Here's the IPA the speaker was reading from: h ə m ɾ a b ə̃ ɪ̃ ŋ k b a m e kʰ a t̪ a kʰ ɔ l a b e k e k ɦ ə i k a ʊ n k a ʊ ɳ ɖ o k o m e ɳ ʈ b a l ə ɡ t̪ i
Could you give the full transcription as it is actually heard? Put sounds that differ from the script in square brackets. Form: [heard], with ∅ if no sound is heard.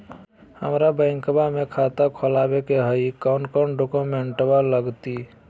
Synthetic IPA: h ə m ɾ a b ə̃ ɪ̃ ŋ k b a m e kʰ a t̪ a kʰ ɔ l a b e k e [∅] ɦ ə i k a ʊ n k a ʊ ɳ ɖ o k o m e ɳ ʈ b a l ə ɡ t̪ i